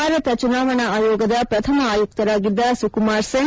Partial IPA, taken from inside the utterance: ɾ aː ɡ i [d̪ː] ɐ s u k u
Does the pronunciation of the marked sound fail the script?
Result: no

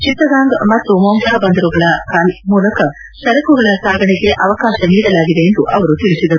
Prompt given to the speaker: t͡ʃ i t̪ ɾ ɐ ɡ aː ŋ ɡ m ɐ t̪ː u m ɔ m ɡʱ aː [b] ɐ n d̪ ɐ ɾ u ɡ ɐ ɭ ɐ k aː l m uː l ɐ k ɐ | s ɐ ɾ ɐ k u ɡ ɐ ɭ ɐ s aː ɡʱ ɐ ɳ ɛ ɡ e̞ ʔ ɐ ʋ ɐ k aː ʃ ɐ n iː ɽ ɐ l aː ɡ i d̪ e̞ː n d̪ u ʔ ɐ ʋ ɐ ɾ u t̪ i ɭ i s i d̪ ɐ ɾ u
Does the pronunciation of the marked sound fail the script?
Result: no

